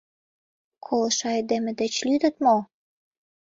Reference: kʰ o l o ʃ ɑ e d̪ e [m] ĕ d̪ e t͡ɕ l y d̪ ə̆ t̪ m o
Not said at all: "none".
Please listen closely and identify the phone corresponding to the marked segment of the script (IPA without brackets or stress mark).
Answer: m